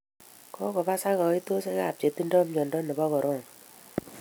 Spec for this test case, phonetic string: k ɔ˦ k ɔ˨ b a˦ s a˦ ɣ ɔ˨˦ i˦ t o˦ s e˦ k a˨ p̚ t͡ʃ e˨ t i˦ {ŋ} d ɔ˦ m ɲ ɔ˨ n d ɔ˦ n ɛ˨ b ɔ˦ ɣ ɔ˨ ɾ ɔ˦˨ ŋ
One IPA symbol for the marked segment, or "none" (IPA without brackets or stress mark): n